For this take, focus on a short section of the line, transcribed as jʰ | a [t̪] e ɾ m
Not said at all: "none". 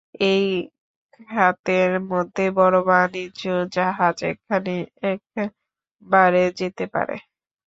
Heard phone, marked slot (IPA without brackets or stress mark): t̪